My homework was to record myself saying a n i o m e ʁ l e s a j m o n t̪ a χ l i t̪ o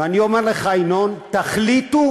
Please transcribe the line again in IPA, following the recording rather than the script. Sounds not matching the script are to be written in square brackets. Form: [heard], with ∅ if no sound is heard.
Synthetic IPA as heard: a n i o m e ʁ l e [χ] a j [n] o n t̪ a χ l i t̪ [u]